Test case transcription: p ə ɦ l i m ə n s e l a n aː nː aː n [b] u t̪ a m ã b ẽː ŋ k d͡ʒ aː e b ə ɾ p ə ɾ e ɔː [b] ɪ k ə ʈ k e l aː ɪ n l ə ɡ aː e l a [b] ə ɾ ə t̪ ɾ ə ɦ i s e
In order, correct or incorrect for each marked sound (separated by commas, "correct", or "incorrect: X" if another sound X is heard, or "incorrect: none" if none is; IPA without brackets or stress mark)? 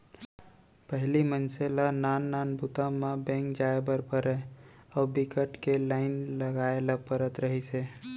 correct, correct, incorrect: p